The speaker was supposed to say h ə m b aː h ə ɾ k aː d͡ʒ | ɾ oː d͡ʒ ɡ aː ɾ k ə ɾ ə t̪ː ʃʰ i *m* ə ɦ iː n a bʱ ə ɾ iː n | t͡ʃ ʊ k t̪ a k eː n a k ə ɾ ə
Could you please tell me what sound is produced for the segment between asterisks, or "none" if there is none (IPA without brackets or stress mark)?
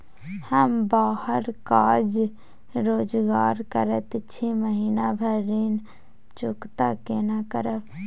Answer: m